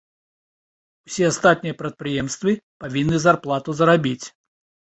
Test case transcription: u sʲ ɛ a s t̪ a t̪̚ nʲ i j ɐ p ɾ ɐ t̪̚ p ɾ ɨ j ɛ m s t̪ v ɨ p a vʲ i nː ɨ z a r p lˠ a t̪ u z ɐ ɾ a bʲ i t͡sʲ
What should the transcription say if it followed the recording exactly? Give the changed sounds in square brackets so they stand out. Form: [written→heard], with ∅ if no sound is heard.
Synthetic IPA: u sʲ ɛ a s t̪ a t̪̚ nʲ i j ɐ p ɾ ɐ t̪̚ p ɾ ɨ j ɛ m s t̪ v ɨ p a vʲ i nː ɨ z a r p lˠ a t̪ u z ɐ ɾ a bʲ i t͡sʲ